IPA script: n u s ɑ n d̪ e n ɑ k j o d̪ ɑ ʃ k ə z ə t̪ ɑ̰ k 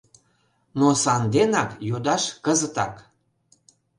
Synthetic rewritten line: n o s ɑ n d̪ e n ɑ k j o d̪ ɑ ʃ k ə z ə t̪ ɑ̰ k